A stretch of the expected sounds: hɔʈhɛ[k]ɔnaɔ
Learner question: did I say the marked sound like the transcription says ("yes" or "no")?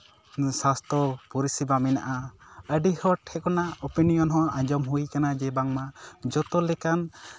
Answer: yes